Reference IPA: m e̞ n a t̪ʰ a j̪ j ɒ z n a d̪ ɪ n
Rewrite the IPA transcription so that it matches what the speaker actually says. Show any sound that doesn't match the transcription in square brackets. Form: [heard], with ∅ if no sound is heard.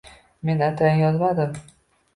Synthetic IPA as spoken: m e̞ n a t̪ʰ a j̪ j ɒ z [m] a d̪ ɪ [m]